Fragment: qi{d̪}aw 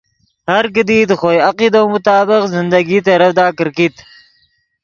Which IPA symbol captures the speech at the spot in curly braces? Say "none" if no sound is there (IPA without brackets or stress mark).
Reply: d̪